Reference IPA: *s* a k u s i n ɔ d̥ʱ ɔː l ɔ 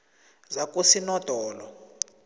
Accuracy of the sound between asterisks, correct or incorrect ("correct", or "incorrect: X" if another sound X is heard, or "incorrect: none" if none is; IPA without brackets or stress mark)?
incorrect: z